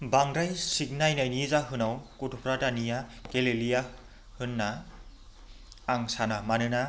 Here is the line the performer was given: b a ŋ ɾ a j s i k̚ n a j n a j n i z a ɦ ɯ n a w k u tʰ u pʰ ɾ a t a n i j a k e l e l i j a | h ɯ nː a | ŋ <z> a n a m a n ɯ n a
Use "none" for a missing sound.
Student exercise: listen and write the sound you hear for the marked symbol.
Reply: s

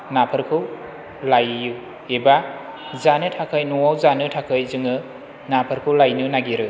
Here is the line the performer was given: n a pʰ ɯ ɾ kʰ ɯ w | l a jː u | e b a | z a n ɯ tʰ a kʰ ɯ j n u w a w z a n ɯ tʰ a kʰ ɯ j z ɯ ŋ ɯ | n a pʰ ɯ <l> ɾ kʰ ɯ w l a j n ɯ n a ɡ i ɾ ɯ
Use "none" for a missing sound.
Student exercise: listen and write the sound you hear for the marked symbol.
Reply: none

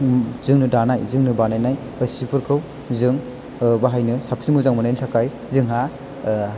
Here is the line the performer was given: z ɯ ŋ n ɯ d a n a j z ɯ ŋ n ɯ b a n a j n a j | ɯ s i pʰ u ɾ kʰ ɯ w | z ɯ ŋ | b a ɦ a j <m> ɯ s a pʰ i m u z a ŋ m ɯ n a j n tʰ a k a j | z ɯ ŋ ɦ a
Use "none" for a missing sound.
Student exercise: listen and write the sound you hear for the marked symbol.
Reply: n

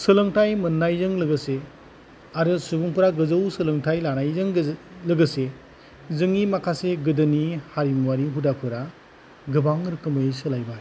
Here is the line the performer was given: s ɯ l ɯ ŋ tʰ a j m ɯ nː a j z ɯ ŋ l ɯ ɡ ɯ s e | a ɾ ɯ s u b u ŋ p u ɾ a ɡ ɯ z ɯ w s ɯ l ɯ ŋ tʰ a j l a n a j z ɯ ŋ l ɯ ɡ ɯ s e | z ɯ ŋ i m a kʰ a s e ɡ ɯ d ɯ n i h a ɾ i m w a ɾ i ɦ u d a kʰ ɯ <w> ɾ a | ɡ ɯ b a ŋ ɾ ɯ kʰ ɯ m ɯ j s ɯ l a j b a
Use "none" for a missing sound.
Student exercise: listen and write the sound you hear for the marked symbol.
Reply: none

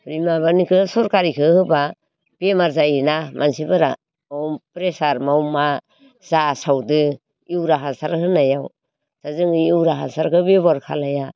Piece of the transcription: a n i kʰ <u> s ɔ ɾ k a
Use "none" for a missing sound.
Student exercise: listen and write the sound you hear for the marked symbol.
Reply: ɯ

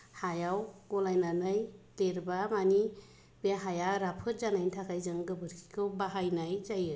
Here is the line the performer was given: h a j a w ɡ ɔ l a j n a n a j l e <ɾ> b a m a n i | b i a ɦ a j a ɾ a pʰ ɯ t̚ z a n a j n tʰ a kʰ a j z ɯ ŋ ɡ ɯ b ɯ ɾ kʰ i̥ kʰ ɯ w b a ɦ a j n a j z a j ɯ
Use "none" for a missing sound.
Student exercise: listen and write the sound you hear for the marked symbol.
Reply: ɾ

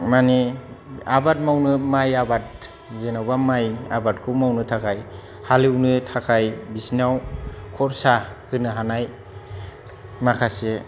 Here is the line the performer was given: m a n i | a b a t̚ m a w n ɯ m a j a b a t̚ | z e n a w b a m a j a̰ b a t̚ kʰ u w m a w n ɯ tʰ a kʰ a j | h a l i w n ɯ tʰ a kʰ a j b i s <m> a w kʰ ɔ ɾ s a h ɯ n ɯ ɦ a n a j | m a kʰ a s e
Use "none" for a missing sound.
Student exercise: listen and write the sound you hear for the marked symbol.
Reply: n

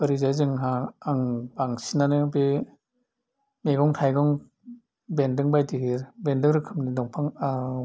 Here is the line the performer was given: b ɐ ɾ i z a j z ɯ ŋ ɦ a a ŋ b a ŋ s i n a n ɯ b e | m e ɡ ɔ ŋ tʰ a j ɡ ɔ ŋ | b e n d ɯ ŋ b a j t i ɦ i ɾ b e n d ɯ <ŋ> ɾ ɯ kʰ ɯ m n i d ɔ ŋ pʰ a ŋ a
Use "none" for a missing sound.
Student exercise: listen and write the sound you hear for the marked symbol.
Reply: ŋ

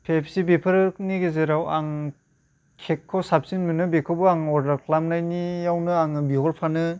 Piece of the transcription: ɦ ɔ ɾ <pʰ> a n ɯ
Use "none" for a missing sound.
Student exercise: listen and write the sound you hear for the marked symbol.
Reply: pʰ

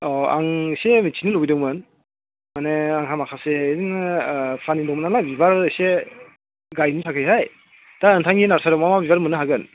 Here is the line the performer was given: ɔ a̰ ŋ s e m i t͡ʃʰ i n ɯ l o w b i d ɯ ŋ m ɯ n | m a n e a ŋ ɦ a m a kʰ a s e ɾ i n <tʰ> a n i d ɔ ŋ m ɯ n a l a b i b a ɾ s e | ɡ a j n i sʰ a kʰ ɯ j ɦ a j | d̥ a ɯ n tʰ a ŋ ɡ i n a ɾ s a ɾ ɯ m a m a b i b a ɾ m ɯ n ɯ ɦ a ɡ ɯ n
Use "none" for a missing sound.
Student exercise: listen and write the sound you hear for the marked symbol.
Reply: pʰ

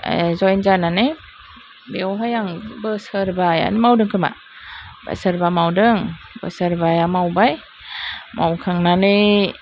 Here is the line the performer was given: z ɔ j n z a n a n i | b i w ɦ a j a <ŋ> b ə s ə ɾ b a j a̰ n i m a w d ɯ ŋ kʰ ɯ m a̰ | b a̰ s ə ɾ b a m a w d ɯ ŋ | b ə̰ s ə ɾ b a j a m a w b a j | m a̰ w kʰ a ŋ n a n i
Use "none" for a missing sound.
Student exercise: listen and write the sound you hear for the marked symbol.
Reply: ŋ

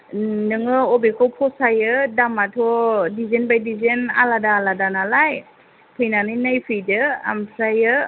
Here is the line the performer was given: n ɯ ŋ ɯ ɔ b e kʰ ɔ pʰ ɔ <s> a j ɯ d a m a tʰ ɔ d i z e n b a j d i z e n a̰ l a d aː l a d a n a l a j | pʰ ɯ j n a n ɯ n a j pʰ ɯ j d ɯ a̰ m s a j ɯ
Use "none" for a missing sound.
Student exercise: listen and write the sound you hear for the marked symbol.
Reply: s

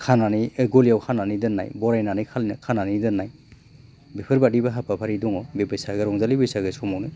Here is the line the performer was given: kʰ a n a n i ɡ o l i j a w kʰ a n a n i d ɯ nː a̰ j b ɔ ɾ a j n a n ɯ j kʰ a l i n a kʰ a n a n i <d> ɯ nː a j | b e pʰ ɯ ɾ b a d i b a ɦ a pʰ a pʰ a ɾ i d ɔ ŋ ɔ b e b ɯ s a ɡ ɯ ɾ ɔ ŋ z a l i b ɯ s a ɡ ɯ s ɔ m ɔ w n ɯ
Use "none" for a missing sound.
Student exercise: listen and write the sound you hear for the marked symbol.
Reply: d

